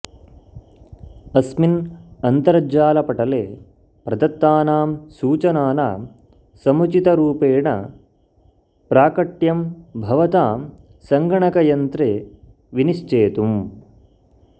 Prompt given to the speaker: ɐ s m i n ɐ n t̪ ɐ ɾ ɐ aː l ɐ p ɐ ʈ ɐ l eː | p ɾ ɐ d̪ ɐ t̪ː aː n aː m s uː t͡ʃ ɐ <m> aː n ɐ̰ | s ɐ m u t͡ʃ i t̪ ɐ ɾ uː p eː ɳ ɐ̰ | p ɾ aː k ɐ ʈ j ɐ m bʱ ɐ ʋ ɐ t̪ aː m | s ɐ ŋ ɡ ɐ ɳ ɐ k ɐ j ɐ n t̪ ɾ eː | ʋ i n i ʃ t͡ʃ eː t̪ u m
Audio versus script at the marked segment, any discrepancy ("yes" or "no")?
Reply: yes